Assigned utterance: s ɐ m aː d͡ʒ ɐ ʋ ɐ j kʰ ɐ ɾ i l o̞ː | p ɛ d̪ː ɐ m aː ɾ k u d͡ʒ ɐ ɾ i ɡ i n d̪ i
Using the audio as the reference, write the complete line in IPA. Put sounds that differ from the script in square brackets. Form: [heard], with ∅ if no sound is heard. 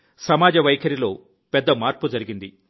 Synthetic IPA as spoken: s ɐ m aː d͡ʒ ɐ ʋ ɐ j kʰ ɐ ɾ i l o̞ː | p ɛ d̪ː ɐ m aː ɾ [p] u d͡ʒ ɐ ɾ i ɡ i n d̪ i